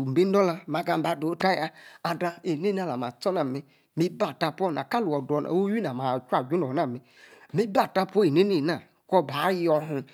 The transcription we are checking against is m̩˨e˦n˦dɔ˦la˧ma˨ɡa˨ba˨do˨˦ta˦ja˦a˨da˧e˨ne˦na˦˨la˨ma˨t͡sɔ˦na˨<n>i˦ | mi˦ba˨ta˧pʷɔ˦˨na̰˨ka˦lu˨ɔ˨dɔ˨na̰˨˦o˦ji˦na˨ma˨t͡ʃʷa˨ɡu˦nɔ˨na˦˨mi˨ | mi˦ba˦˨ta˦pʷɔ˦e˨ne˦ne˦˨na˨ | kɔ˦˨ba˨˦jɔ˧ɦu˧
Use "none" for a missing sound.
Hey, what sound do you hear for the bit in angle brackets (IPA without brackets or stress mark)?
m